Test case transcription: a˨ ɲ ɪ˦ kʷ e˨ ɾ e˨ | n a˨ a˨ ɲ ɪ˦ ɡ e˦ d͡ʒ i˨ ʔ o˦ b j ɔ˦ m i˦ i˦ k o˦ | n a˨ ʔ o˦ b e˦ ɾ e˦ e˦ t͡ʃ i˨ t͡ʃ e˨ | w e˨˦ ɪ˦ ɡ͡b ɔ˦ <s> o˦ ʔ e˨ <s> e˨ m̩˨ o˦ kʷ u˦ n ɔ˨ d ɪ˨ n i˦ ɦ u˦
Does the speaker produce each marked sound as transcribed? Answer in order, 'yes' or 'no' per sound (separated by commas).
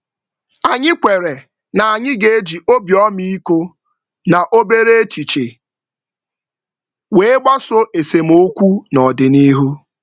yes, yes